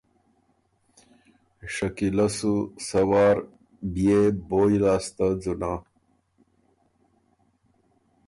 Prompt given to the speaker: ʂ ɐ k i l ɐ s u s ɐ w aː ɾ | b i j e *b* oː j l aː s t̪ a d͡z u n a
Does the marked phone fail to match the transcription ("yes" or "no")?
no